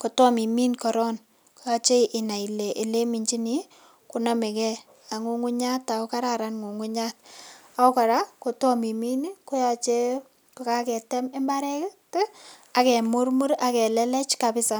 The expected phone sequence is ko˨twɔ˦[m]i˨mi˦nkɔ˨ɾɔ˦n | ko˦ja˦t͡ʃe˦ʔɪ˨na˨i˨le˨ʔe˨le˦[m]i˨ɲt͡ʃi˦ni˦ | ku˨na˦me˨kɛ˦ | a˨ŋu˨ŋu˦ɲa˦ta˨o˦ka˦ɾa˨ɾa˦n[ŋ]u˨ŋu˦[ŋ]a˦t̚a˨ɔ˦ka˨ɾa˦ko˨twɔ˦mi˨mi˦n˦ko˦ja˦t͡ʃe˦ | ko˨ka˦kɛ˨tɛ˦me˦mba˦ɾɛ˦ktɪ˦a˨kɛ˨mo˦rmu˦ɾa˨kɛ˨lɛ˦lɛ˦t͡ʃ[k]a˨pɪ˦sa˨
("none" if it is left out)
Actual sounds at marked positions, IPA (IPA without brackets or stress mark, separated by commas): m, m, ŋ, ɲ, k